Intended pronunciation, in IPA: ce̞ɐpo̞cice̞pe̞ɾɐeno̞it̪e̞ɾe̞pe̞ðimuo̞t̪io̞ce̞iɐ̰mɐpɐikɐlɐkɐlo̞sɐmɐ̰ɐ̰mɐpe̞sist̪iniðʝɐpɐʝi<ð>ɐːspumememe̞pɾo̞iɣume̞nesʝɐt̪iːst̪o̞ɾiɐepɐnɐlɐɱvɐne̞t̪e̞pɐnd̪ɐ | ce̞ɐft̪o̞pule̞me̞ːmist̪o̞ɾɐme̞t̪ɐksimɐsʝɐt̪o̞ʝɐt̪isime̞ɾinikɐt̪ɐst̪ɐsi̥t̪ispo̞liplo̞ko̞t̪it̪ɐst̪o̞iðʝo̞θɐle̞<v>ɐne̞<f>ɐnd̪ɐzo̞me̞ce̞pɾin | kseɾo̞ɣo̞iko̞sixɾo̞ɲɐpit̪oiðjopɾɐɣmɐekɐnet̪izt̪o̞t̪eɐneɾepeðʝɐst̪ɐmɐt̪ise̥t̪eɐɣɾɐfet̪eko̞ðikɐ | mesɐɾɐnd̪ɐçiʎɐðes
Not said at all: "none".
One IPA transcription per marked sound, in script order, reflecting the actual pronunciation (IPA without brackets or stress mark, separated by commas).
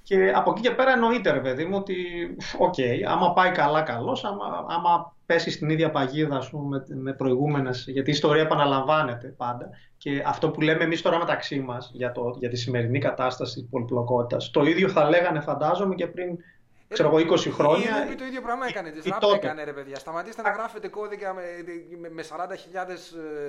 ð, ɣ, f